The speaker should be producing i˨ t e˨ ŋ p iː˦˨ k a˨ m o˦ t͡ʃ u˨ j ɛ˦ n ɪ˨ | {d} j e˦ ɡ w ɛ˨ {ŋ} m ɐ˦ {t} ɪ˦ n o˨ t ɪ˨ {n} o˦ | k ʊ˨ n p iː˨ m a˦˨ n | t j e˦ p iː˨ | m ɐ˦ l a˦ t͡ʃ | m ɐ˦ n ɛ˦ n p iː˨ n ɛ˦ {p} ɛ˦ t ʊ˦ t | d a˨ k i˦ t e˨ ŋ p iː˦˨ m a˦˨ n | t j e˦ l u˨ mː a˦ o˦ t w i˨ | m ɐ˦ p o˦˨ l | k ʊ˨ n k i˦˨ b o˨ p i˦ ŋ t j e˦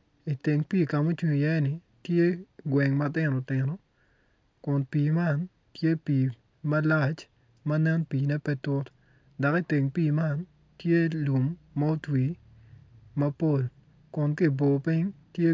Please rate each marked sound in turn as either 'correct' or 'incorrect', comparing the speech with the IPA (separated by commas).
incorrect, correct, correct, correct, correct